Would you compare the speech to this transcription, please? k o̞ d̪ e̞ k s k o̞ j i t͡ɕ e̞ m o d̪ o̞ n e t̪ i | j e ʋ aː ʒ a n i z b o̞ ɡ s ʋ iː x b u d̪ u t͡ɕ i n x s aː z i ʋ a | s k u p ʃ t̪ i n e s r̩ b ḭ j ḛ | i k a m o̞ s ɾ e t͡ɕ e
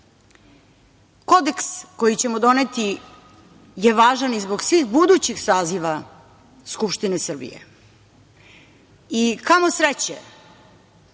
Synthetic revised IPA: k o̞ d̪ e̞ k s k o̞ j i t͡ɕ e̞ m o d̪ o̞ n e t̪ i | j e ʋ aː ʒ a n i z b o̞ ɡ s ʋ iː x b u d̪ u t͡ɕ i x s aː z i ʋ a | s k u p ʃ t̪ i n e s r̩ b ḭ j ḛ | i k a m o̞ s ɾ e t͡ɕ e